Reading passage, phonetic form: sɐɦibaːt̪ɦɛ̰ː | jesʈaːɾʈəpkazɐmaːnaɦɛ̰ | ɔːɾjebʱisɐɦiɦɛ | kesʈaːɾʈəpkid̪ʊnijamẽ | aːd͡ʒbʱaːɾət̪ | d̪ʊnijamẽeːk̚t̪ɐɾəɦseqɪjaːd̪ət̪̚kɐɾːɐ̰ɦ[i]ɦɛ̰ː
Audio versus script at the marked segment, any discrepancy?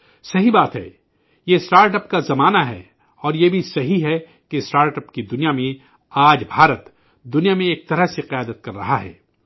yes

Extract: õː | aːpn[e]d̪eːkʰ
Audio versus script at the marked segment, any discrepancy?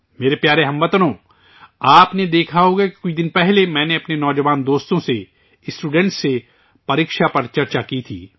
no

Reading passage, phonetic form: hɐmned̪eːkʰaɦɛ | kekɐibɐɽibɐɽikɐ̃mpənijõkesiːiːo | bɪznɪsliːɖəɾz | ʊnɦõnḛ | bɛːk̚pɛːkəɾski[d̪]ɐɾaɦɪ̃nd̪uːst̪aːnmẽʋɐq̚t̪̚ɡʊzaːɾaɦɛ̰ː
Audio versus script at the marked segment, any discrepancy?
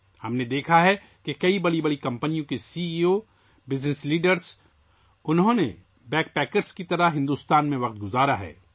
yes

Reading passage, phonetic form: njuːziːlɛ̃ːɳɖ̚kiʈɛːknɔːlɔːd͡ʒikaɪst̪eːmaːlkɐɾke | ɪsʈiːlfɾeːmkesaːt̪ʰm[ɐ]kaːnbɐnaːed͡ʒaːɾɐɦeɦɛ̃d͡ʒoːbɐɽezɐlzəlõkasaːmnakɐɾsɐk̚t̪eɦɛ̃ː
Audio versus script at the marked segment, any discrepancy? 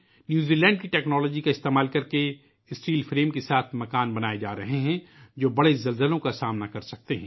no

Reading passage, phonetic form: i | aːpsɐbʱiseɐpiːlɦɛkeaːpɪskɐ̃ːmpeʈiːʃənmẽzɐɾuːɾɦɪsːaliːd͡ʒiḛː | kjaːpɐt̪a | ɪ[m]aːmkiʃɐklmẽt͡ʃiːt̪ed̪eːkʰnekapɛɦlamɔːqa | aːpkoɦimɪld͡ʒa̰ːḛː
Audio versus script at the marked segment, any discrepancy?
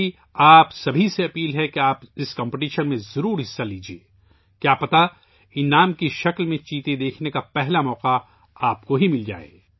yes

